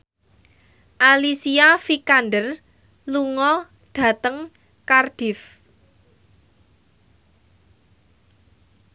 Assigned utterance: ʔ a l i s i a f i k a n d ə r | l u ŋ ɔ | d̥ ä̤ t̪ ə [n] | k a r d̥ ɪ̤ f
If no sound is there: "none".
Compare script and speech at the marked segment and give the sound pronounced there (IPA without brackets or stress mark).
ŋ